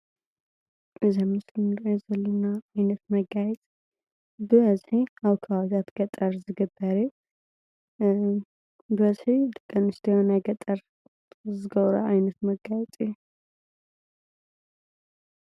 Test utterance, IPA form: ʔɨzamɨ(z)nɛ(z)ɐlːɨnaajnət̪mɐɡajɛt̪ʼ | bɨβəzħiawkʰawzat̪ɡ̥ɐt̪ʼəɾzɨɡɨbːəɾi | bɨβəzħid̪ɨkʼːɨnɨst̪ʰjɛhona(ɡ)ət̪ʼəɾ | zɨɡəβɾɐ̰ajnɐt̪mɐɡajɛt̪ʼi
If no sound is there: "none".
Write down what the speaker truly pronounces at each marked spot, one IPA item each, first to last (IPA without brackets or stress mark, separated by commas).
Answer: s, z, ɡ